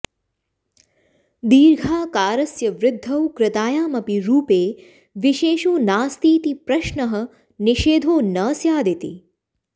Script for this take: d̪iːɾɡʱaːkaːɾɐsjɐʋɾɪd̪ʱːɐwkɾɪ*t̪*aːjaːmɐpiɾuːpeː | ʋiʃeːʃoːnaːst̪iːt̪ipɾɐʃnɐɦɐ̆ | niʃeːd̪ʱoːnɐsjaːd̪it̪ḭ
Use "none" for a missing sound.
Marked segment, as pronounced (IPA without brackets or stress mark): t̪